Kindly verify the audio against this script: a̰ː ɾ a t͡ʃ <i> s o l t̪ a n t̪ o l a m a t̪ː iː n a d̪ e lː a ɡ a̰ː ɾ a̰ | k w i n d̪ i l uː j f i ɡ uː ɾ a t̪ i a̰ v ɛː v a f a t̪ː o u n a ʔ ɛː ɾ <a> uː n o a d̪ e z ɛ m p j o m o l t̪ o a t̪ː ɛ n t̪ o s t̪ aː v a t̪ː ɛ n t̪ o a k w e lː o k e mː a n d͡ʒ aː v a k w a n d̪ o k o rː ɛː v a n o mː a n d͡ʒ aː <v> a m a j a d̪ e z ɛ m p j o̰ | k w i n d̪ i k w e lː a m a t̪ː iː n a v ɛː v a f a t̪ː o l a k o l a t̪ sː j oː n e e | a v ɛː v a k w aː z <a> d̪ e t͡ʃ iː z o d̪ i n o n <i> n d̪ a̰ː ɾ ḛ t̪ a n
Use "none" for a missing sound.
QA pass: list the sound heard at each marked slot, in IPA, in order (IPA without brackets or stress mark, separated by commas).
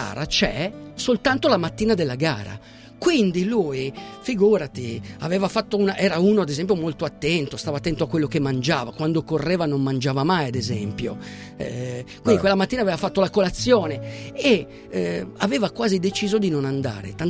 ɛ, a, v, i, a